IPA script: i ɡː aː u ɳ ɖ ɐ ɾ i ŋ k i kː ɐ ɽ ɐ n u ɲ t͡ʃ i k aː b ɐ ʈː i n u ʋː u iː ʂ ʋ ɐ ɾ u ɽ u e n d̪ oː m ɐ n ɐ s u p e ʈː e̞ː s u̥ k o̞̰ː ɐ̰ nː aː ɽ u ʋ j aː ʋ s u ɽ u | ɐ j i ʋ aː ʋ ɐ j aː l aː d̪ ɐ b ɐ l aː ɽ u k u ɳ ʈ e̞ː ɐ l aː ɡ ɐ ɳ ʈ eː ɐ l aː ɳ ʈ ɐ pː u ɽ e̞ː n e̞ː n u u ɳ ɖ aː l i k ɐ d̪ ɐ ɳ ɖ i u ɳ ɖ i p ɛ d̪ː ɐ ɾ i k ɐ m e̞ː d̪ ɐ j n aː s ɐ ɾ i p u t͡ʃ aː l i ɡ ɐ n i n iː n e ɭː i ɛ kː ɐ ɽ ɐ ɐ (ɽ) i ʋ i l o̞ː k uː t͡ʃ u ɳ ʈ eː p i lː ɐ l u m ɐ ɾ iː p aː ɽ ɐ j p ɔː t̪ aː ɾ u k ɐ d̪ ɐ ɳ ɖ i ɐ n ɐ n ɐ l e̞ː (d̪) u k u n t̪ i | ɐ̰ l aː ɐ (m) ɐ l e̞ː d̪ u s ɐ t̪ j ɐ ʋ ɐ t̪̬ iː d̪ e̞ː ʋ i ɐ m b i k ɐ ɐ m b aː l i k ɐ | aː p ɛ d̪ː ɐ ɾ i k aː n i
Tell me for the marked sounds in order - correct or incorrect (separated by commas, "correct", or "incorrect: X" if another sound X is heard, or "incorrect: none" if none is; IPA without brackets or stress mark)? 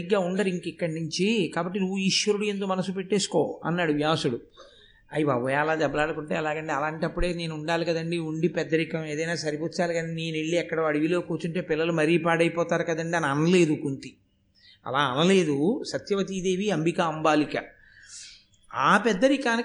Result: correct, correct, incorrect: n